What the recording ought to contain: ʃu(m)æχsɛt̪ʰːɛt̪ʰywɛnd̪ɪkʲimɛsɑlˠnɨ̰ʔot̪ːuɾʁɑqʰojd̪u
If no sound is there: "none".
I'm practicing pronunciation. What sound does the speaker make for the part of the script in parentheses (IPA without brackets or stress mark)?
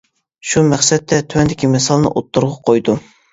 m